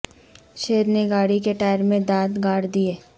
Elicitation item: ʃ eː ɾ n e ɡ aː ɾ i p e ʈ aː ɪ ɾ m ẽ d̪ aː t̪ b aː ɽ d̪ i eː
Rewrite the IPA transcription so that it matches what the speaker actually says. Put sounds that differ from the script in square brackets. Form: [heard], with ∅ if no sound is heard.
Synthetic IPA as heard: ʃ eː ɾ n e ɡ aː [ɽ] i [k] e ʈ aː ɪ ɾ m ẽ d̪ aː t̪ [ɡ] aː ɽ d̪ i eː